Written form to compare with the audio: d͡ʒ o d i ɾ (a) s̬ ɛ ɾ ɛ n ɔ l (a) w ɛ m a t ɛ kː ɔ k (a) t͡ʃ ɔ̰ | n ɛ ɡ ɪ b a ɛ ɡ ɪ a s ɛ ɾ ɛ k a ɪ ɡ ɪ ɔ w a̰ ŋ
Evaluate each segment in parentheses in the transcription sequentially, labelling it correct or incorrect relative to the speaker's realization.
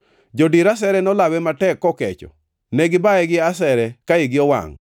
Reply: correct, correct, incorrect

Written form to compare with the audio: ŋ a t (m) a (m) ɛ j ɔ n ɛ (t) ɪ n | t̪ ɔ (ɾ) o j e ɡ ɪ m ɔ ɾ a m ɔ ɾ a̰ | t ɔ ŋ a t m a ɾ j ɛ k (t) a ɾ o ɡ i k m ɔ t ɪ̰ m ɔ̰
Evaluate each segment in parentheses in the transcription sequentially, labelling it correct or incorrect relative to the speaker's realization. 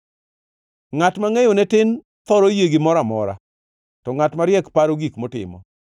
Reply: correct, incorrect, correct, correct, incorrect

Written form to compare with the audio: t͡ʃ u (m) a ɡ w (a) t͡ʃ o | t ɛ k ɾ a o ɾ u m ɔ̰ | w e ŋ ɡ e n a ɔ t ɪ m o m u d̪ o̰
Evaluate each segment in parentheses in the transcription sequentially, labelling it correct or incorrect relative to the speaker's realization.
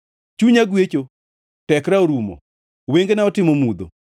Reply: incorrect, incorrect

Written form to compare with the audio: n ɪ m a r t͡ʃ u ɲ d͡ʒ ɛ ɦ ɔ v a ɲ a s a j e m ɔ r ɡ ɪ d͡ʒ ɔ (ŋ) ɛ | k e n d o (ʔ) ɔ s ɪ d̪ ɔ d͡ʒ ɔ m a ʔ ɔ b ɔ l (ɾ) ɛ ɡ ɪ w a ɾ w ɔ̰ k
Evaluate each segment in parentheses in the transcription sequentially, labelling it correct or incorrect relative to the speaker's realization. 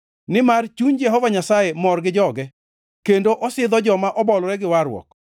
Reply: incorrect, correct, correct

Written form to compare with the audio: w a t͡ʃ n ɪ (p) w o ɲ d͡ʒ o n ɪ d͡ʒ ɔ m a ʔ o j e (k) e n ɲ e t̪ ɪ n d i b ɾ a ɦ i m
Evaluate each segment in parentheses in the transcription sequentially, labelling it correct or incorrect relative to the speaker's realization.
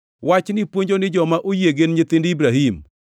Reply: correct, incorrect

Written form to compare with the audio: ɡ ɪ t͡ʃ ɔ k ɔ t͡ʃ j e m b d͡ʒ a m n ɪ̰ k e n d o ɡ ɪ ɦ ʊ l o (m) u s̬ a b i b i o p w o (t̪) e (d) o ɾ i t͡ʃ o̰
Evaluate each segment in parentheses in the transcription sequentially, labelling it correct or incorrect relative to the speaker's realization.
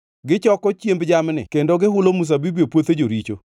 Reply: correct, correct, incorrect

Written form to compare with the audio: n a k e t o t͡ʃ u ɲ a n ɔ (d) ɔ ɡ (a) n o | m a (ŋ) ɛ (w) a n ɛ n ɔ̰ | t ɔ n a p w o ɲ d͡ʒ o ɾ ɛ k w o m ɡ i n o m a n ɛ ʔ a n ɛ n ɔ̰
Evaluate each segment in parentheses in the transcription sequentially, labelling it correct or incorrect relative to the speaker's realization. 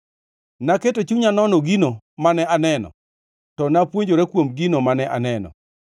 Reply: incorrect, incorrect, incorrect, incorrect

